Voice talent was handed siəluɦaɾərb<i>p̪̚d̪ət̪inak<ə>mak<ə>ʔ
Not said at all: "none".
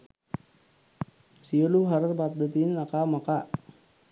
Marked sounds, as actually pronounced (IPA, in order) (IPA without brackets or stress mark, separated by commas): a, a, a